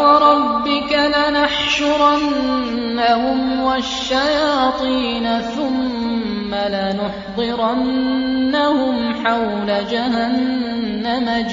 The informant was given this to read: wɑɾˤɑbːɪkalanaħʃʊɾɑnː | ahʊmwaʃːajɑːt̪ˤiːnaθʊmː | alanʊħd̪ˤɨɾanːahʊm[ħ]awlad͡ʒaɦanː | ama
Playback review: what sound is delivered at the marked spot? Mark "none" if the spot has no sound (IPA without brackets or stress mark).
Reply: ħ